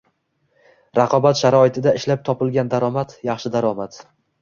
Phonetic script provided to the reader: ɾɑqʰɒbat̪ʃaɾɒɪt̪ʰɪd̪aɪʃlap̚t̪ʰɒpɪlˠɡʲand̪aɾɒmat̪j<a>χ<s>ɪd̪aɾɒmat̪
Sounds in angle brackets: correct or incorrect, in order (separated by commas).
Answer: incorrect, incorrect